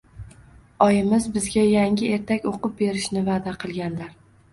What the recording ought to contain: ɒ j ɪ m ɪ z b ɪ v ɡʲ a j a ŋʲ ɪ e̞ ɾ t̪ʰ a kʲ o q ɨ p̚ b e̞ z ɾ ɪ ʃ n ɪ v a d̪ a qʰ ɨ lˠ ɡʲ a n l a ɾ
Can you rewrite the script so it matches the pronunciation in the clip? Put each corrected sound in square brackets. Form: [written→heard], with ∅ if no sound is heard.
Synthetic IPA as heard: ɒ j ɪ m ɪ z b ɪ [v→z] ɡʲ a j a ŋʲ ɪ e̞ ɾ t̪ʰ a kʲ o q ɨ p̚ b e̞ [z→∅] ɾ ɪ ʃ n ɪ v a d̪ a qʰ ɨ lˠ ɡʲ a n l a ɾ